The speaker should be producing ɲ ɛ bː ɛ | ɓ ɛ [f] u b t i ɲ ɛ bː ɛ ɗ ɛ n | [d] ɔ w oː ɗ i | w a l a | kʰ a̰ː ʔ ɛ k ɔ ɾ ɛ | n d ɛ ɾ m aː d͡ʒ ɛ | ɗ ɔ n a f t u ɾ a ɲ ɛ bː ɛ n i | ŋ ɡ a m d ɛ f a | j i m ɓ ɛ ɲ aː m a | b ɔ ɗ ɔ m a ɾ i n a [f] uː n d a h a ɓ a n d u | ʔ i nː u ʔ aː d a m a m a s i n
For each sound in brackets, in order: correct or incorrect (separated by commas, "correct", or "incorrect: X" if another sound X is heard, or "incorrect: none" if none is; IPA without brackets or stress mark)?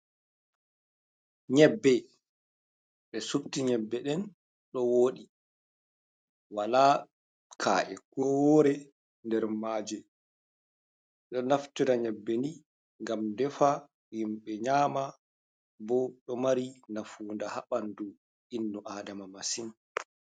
incorrect: s, incorrect: ɗ, correct